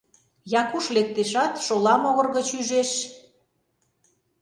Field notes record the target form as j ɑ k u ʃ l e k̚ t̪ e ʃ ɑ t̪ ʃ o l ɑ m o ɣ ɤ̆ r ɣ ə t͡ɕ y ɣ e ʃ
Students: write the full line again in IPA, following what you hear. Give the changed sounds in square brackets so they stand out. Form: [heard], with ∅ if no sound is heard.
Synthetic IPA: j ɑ k u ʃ l e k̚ t̪ e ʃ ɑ t̪ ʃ o l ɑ m o ɣ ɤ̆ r ɣ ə t͡ɕ y [ʒ] e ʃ